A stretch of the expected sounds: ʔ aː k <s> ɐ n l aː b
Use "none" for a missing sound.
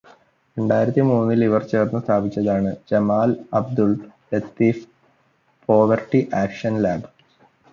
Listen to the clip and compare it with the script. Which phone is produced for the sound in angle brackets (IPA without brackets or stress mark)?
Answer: ʂ